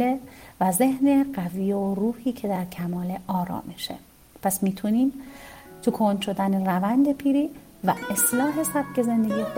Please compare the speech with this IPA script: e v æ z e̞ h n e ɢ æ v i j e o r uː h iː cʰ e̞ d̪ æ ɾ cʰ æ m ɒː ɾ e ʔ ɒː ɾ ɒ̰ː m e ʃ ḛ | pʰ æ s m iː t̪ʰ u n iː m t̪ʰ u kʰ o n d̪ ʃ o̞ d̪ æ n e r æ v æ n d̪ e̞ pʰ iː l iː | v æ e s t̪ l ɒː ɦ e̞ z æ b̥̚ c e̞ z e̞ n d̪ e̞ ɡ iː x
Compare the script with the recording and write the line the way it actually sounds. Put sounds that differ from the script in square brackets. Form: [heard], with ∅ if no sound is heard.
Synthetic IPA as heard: e v æ z e̞ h n e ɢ æ v i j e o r uː h iː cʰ e̞ d̪ æ ɾ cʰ æ m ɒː [l] e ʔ ɒː ɾ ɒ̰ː m e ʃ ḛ | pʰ æ s m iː t̪ʰ u n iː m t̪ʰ u kʰ o n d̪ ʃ o̞ d̪ æ n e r æ v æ n d̪ e̞ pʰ iː [ɾ] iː | v æ e s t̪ l ɒː ɦ e̞ [s] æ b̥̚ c e̞ z e̞ n d̪ e̞ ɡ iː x